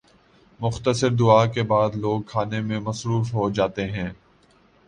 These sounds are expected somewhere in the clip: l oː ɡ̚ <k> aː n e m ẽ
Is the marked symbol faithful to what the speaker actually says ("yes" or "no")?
no